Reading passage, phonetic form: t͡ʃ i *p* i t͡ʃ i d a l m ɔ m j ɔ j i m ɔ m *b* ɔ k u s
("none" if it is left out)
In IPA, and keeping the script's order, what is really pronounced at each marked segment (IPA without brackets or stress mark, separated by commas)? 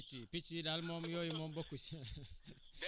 p, b